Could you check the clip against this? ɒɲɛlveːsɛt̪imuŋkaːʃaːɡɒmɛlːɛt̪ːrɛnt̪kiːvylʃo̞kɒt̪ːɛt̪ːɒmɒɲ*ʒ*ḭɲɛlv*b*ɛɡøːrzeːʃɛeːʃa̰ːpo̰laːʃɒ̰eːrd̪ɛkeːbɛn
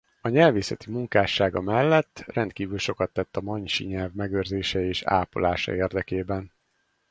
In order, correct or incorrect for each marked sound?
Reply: incorrect, incorrect

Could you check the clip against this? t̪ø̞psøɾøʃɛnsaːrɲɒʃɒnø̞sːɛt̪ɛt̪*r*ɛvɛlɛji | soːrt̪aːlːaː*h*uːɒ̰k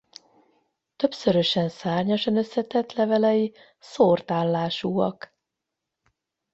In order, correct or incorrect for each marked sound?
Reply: incorrect, incorrect

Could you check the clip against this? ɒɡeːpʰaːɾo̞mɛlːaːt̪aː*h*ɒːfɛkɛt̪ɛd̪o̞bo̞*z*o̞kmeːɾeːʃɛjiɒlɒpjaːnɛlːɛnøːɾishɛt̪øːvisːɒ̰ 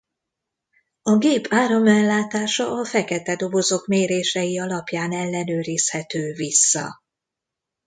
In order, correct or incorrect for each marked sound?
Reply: incorrect, correct

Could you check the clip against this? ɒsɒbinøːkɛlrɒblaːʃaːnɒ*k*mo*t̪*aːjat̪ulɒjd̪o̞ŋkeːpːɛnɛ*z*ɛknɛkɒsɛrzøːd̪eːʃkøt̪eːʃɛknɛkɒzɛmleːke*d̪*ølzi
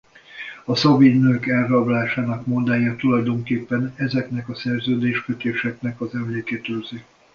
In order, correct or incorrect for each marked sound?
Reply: correct, incorrect, correct, incorrect

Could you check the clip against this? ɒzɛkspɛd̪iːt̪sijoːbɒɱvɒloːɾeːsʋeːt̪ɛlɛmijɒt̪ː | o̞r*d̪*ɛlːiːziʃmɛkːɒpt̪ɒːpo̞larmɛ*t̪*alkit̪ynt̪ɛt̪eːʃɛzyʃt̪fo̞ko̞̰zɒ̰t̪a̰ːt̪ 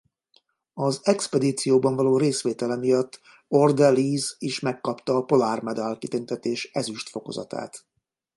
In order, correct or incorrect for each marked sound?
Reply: correct, incorrect

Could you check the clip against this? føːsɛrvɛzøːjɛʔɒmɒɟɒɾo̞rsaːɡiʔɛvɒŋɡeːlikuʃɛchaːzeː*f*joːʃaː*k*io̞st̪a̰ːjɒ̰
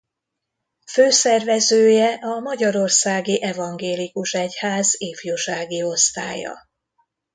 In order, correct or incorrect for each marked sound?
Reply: correct, incorrect

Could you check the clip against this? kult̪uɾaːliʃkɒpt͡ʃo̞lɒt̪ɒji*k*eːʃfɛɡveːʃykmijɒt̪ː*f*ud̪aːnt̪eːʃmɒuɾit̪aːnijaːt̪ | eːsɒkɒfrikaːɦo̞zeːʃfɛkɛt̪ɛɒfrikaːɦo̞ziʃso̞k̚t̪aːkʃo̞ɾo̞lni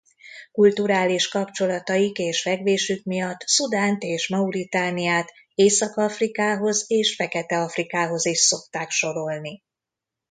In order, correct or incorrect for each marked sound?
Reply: correct, incorrect

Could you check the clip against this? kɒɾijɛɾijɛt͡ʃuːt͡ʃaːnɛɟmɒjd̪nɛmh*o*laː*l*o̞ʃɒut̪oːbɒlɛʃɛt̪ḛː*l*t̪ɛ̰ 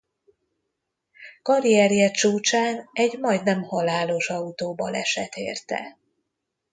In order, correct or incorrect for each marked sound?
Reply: incorrect, correct, incorrect

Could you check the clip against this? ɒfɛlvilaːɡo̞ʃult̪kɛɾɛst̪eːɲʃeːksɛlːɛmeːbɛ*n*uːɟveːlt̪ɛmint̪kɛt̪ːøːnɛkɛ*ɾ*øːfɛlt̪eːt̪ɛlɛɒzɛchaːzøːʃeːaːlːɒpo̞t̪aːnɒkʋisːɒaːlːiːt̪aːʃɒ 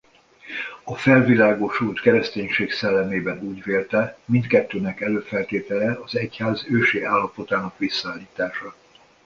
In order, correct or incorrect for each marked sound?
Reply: correct, incorrect

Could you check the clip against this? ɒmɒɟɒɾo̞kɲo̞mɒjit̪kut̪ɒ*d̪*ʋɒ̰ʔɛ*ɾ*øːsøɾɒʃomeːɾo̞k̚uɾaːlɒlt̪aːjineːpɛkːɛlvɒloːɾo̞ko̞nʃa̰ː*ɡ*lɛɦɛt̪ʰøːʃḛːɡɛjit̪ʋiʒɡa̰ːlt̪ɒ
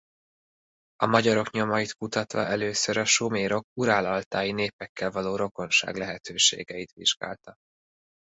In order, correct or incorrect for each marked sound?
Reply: incorrect, incorrect, correct

